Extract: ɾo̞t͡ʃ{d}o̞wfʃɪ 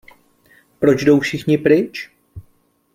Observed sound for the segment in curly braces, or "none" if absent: d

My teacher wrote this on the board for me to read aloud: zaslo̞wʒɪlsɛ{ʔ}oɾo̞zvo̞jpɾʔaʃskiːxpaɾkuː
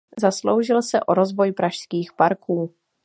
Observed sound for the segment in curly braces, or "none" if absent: ʔ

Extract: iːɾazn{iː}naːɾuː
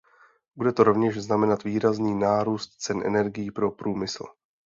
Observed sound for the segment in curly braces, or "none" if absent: iː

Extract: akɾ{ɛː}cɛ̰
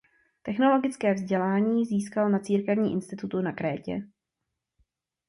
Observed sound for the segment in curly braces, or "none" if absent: ɛː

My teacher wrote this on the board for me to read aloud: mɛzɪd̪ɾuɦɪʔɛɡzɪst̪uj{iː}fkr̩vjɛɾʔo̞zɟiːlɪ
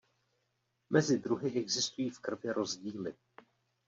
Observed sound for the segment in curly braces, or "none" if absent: iː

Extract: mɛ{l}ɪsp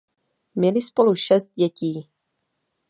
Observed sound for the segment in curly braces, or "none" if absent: l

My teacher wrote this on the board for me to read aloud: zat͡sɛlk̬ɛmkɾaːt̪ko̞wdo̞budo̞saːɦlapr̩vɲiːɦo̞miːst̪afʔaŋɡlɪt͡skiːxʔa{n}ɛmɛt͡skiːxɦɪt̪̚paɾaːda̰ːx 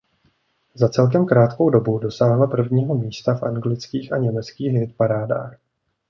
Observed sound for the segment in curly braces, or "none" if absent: ɲ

